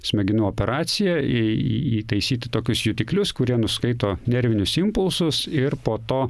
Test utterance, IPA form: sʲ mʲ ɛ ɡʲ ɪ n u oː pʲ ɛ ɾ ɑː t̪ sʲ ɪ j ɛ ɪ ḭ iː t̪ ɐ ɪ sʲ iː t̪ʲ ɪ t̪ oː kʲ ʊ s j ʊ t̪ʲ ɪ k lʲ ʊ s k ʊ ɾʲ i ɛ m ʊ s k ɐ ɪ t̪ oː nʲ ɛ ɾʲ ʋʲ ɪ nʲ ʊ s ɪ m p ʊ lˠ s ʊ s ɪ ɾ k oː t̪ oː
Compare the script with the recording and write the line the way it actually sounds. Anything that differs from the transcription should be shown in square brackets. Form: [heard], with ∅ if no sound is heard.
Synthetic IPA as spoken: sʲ mʲ ɛ ɡʲ ɪ n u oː pʲ ɛ ɾ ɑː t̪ sʲ ɪ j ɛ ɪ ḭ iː t̪ ɐ ɪ sʲ iː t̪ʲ ɪ t̪ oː kʲ ʊ s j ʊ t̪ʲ ɪ k lʲ ʊ s k ʊ ɾʲ i ɛ [n] ʊ s k ɐ ɪ t̪ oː nʲ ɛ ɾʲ ʋʲ ɪ nʲ ʊ s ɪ m p ʊ lˠ s ʊ s ɪ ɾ [p] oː t̪ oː